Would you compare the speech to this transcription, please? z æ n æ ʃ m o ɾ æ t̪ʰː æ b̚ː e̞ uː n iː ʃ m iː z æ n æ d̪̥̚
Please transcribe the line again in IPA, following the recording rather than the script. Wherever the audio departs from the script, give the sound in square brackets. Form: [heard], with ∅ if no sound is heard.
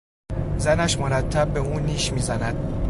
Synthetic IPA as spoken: z æ n æ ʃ m o ɾ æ t̪ʰː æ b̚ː e̞ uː n iː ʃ m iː z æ n æ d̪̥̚